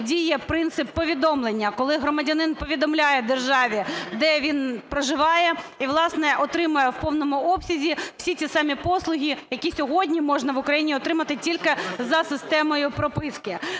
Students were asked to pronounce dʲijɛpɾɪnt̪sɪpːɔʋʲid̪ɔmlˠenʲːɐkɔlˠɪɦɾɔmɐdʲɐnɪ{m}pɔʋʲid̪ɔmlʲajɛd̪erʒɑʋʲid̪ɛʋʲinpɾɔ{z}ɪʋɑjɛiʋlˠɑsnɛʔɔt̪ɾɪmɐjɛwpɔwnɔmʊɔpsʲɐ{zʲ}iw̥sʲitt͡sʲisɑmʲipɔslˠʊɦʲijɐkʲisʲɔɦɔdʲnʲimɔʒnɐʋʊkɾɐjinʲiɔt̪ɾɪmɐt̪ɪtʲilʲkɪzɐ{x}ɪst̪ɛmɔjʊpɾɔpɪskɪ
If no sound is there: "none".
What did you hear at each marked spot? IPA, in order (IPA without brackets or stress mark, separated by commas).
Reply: n, ʒ, zʲ, s